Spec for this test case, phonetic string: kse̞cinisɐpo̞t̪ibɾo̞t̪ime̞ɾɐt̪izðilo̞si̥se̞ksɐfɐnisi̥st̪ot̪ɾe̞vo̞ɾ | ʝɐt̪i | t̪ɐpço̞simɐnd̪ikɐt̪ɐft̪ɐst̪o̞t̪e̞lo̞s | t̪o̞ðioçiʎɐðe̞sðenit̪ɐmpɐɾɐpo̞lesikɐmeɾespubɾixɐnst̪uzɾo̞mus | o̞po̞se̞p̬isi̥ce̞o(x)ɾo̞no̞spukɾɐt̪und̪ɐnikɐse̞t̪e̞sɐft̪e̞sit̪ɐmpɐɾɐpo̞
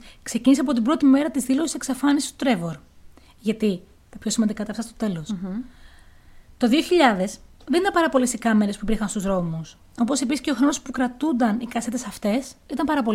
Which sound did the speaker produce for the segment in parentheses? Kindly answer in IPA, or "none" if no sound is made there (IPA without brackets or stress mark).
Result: x